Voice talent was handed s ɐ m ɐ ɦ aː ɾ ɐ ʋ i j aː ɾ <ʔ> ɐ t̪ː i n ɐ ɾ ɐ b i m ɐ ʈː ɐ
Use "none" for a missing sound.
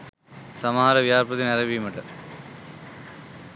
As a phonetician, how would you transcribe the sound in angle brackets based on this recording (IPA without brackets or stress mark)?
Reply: p